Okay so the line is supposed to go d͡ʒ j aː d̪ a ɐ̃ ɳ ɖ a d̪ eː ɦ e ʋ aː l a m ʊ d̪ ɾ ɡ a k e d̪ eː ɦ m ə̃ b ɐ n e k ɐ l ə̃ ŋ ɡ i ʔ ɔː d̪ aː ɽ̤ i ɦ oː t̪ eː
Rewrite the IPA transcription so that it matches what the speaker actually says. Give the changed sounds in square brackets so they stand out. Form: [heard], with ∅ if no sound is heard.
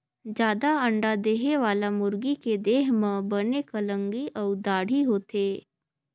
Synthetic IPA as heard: d͡ʒ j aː d̪ a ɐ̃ ɳ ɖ a d̪ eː ɦ e ʋ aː l a m ʊ [∅] ɾ ɡ [i] k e d̪ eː ɦ m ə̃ b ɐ n e k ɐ l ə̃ ŋ ɡ i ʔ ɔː d̪ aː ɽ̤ i ɦ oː t̪ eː